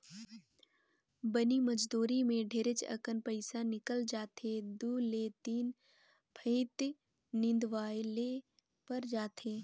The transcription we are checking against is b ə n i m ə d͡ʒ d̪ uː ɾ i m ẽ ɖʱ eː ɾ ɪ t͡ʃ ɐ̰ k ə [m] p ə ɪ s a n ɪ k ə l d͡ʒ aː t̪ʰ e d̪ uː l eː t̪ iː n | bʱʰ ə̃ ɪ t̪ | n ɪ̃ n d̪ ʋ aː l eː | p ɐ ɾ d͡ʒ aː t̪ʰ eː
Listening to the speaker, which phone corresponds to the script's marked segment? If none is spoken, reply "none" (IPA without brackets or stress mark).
n